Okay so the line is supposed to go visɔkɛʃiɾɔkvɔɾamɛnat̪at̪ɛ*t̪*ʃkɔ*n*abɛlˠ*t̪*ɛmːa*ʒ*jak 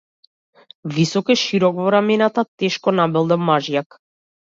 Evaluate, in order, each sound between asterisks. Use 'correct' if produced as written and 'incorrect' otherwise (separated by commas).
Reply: incorrect, correct, incorrect, correct